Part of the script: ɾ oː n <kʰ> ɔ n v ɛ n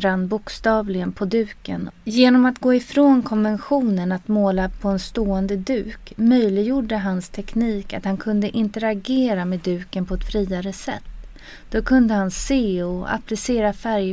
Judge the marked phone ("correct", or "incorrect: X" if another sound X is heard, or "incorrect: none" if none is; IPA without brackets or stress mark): correct